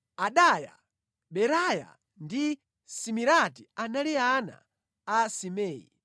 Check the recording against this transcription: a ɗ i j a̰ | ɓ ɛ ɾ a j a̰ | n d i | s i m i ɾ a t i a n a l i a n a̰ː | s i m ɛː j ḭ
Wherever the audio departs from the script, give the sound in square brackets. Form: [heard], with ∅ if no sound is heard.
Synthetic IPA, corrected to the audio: a ɗ [a] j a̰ | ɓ ɛ ɾ a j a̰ | n d i | s i m i ɾ a t i a n a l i a n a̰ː | s i m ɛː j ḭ